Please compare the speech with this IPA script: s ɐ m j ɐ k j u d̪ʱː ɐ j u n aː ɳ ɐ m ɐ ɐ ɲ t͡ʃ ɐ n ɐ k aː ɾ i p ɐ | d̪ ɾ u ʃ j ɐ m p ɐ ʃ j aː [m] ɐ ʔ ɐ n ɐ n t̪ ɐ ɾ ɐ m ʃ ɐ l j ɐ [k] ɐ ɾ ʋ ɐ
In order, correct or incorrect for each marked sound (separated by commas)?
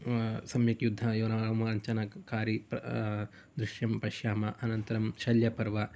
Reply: correct, incorrect